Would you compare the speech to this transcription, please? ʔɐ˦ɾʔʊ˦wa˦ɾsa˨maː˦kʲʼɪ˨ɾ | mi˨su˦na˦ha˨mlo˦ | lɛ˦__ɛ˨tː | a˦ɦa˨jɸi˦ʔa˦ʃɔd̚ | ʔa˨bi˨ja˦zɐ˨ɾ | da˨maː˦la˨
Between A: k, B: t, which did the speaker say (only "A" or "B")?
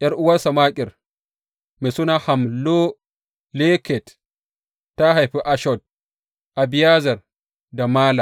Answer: A